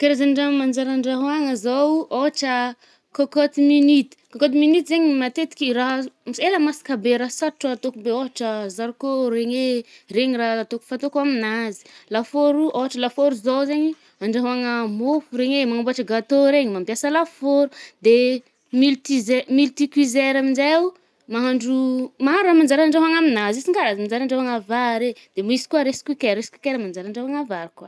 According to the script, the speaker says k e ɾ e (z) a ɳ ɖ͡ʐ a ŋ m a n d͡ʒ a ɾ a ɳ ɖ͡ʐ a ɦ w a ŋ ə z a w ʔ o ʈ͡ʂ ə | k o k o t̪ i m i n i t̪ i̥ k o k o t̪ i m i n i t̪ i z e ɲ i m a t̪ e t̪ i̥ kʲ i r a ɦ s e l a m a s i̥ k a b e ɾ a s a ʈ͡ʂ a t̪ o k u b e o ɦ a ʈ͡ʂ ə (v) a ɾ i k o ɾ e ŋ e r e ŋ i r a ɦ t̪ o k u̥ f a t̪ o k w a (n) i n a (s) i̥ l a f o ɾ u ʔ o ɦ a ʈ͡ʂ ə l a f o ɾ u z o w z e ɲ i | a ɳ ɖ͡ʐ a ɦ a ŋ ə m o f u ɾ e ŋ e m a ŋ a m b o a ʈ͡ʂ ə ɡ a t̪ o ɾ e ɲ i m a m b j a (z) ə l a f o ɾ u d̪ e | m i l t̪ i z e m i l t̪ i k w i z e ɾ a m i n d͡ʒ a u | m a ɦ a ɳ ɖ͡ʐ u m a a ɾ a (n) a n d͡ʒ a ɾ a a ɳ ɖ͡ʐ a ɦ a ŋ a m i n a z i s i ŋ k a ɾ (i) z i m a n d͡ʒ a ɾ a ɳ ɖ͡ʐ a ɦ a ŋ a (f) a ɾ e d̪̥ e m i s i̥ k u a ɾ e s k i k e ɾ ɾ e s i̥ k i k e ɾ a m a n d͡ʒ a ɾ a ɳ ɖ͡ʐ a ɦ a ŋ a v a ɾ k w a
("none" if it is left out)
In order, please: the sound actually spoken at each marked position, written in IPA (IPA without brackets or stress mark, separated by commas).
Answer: z, z, m, z, s, m, a, v